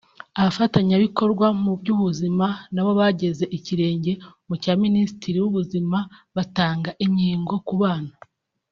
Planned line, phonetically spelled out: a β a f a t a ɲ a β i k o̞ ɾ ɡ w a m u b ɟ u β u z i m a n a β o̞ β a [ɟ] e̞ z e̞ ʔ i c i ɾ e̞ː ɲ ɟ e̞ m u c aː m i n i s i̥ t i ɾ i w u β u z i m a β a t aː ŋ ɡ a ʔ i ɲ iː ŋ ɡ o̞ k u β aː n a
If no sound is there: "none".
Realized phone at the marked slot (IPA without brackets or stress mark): ɟ